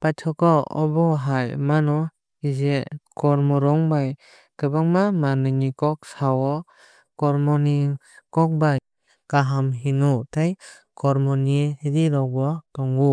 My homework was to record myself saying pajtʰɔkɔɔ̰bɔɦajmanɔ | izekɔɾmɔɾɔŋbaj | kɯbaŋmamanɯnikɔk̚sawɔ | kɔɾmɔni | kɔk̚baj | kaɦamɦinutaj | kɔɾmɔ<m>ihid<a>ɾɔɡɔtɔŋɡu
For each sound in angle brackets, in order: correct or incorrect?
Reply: incorrect: n, incorrect: i

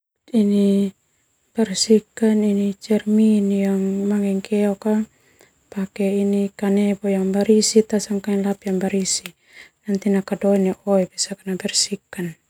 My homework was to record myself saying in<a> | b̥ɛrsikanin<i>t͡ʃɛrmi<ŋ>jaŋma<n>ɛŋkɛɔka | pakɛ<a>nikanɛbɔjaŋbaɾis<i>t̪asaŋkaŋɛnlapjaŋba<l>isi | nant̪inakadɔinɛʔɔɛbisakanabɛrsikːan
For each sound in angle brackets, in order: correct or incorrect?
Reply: incorrect: i, correct, incorrect: n, incorrect: ŋ, incorrect: i, correct, incorrect: ɾ

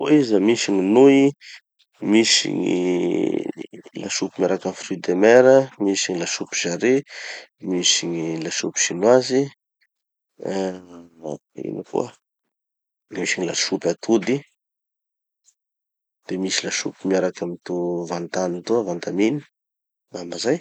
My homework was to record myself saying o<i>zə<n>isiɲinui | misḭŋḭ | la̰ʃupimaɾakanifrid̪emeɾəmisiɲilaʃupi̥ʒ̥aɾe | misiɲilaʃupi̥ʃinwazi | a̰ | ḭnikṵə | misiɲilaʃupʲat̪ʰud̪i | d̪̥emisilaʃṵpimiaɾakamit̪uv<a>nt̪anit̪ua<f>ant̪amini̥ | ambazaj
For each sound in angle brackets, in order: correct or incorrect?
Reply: correct, incorrect: m, correct, incorrect: v

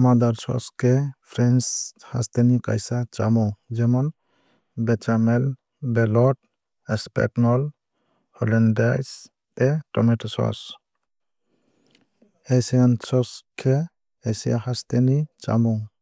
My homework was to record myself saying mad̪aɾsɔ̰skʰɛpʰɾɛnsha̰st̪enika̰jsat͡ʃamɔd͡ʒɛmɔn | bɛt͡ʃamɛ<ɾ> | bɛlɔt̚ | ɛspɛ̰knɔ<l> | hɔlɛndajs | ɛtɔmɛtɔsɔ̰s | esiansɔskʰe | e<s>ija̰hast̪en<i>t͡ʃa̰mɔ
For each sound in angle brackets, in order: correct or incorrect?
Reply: incorrect: l, correct, correct, correct

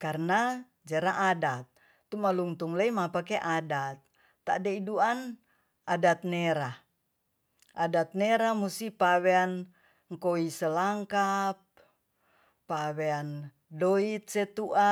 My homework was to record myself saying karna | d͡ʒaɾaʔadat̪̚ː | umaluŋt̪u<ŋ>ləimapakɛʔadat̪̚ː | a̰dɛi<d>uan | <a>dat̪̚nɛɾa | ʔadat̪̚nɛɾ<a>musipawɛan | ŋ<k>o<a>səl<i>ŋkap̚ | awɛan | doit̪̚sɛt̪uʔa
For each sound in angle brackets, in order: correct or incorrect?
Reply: correct, correct, correct, correct, correct, incorrect: i, incorrect: a

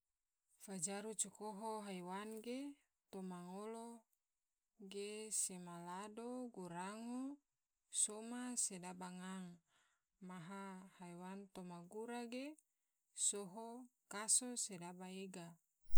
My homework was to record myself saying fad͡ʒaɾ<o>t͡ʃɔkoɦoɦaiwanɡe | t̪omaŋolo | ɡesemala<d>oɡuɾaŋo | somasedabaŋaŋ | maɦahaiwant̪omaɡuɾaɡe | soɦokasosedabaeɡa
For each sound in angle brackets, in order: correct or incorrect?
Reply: incorrect: u, correct

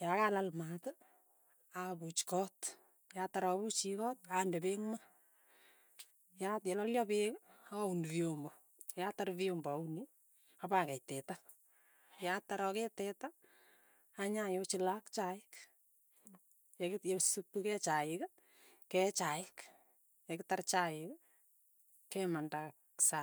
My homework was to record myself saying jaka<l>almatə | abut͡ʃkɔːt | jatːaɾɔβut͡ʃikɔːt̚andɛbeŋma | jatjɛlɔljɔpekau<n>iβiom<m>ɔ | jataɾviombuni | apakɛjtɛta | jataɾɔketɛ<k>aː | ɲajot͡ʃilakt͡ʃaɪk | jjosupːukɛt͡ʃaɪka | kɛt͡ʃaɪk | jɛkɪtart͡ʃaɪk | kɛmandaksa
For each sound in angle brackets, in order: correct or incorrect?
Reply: correct, correct, incorrect: b, incorrect: t

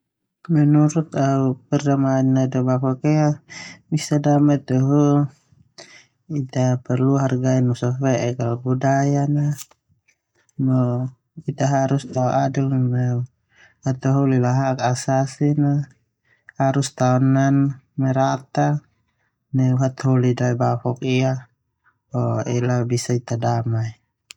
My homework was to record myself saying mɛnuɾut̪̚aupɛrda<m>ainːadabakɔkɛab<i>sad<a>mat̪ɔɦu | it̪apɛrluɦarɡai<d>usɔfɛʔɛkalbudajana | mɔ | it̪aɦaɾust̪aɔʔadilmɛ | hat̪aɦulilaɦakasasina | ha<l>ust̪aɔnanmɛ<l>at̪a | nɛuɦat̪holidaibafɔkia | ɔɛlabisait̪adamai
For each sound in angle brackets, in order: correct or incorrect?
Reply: correct, correct, correct, incorrect: n, incorrect: ɾ, incorrect: ɾ

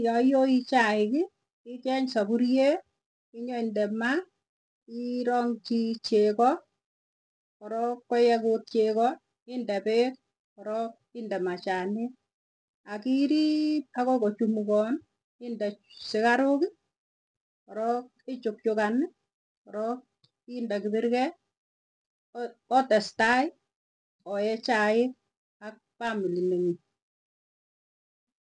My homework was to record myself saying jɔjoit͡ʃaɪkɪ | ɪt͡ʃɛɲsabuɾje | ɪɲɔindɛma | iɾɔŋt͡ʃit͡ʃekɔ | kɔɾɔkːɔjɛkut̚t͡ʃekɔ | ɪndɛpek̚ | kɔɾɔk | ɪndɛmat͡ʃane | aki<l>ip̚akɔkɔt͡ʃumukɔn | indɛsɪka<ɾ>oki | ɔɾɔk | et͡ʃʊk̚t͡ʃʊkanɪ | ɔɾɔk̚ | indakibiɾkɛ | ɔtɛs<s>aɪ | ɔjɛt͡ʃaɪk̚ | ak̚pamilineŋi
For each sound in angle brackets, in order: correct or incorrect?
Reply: incorrect: ɾ, correct, incorrect: t

